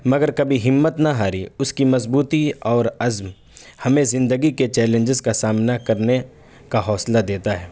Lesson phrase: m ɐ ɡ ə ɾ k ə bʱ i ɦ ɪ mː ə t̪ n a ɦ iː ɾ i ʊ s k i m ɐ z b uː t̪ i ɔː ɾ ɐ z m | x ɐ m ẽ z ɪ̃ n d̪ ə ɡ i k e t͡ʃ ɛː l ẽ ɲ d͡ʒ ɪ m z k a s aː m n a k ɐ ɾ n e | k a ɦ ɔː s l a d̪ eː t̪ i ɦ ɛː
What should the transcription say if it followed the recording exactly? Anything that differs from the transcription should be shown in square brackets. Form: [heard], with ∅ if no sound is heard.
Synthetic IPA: m ɐ ɡ ə ɾ k [ɐ] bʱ i ɦ ɪ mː ə t̪ n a ɦ [aː] ɾ i ʊ s k i m ɐ z b uː t̪ i ɔː ɾ ɐ z m | [h] ɐ m ẽ z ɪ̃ n d̪ ə ɡ i k e t͡ʃ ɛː l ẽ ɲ d͡ʒ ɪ [∅] z k a s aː m n a k ɐ ɾ n e | k a ɦ ɔː s l a d̪ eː t̪ [a] ɦ ɛː